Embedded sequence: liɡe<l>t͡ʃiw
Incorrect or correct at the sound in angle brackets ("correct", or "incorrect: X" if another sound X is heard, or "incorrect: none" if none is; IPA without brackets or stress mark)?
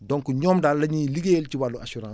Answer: correct